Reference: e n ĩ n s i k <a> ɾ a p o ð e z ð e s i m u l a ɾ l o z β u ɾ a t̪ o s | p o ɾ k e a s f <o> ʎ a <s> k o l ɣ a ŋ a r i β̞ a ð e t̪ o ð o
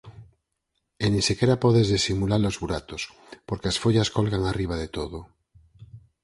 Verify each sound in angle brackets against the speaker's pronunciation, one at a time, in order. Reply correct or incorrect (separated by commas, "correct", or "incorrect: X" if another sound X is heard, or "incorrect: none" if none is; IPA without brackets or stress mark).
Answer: incorrect: e, correct, correct